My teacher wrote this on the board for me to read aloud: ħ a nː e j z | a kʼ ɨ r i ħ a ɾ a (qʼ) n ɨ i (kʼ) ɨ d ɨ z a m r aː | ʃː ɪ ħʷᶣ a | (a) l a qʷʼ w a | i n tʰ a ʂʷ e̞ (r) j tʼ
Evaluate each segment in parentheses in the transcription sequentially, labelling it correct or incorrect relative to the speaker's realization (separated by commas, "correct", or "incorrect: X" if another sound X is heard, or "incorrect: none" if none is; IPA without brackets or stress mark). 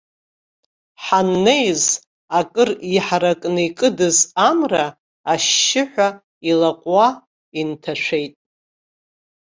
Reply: incorrect: kʼ, correct, incorrect: i, incorrect: none